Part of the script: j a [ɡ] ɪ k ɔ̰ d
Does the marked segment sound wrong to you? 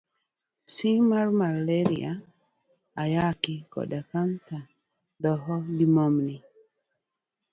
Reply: yes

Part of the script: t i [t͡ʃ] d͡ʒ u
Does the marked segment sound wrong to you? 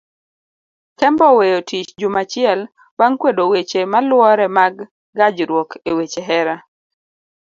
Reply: no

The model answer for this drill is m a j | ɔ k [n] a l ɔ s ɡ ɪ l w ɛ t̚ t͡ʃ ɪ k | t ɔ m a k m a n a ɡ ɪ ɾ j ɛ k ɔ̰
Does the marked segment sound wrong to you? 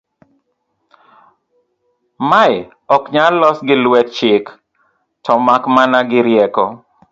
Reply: yes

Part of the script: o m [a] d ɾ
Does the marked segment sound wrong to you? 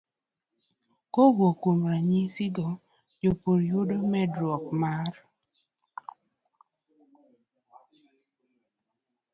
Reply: yes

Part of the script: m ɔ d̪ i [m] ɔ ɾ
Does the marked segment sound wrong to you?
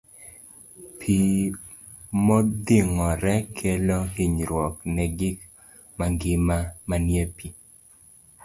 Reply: yes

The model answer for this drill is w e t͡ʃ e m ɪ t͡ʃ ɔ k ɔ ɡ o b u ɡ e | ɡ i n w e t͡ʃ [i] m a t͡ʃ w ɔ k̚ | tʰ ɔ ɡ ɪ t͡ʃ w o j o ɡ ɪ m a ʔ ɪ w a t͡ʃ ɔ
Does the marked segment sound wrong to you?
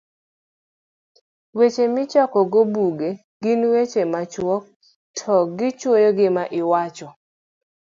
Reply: yes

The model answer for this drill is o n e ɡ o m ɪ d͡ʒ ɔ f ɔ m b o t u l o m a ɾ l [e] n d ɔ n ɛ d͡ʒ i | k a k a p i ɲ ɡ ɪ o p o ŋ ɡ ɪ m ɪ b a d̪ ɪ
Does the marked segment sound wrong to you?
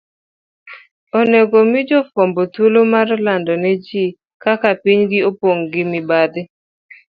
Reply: yes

